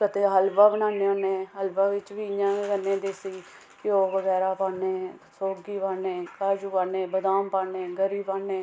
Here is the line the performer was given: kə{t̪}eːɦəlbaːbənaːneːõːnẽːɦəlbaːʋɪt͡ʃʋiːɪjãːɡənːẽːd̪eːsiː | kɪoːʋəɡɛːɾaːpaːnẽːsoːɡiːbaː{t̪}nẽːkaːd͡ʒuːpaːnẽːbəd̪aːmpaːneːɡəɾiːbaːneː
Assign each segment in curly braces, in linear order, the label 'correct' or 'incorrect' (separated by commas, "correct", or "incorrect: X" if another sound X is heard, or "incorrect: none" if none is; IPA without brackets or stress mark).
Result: correct, incorrect: none